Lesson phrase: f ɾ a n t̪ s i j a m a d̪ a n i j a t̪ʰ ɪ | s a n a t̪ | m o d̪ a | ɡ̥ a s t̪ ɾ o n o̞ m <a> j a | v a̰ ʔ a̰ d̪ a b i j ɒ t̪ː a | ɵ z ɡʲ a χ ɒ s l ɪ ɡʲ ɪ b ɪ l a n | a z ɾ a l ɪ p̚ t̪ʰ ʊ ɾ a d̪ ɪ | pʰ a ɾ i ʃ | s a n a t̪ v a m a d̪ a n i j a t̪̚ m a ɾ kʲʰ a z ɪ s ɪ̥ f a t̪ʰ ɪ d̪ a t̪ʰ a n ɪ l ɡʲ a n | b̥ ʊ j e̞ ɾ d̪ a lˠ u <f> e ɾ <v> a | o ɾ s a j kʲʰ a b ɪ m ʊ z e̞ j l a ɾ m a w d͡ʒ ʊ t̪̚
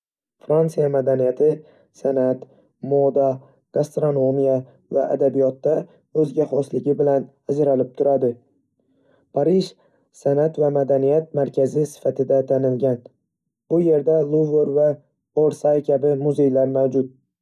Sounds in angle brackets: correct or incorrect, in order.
incorrect: i, incorrect: v, correct

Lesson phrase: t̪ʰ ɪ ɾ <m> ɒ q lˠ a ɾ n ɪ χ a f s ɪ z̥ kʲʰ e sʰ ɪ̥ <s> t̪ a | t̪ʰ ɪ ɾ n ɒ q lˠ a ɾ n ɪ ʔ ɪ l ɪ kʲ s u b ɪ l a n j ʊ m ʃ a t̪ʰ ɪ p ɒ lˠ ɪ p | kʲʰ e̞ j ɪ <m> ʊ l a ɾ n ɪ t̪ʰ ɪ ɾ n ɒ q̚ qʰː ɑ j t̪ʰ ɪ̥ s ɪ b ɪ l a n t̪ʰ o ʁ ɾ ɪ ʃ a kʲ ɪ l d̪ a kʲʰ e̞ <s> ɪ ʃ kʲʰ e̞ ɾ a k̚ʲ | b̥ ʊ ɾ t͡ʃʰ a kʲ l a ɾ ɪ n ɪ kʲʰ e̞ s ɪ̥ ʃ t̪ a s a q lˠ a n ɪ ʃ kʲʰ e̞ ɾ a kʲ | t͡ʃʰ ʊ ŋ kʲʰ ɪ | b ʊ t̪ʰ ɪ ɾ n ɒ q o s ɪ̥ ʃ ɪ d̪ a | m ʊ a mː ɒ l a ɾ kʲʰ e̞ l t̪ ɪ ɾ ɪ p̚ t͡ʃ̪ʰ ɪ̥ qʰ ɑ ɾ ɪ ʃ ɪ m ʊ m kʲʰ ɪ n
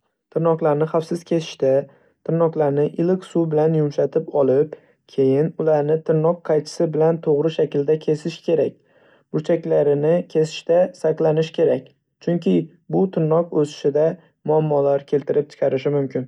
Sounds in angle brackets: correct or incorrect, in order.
incorrect: n, incorrect: ʃ, incorrect: n, correct

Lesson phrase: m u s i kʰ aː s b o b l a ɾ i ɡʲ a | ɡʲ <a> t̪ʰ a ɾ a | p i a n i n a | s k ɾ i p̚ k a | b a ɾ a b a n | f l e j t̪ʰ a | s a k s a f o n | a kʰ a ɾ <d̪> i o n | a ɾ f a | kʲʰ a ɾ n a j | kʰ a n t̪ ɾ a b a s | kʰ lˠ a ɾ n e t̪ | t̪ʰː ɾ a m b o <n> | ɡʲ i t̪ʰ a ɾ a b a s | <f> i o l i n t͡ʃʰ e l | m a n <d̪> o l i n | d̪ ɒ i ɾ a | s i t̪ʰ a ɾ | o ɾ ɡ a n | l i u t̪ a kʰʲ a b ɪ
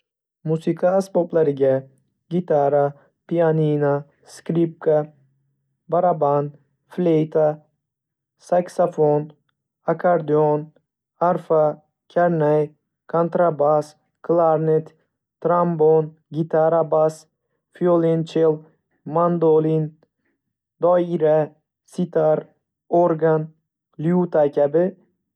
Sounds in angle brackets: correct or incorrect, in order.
incorrect: i, correct, correct, correct, correct

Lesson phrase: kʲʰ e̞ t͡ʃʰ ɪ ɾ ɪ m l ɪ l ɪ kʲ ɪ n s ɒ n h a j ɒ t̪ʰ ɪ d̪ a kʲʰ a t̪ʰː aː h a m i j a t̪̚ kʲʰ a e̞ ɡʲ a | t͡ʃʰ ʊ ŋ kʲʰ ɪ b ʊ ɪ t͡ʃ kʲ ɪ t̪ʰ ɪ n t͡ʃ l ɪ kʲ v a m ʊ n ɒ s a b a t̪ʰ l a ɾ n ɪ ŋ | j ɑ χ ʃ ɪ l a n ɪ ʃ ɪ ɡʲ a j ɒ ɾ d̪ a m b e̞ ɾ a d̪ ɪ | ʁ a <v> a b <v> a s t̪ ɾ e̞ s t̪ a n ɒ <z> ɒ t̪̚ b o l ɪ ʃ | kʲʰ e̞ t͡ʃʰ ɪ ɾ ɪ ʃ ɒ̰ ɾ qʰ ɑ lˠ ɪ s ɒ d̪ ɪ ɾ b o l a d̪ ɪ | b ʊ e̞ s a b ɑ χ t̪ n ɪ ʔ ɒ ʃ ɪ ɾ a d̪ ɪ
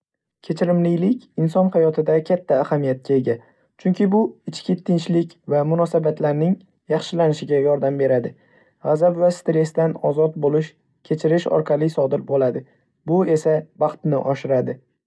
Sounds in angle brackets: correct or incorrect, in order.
incorrect: z, correct, correct

